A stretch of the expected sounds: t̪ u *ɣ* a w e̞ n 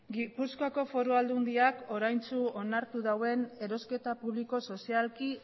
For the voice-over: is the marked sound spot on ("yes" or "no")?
no